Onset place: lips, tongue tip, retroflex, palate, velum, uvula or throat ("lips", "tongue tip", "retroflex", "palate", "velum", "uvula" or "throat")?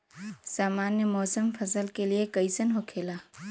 tongue tip